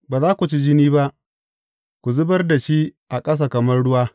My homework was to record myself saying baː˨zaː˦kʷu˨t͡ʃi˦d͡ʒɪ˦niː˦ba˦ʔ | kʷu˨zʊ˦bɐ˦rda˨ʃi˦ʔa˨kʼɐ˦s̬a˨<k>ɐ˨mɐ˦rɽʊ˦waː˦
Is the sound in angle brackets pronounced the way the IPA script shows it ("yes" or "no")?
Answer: yes